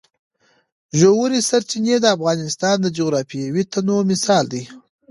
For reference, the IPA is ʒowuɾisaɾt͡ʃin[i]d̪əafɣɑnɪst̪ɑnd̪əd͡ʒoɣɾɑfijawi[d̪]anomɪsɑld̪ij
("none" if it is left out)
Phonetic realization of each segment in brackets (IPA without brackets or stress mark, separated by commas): e, t̪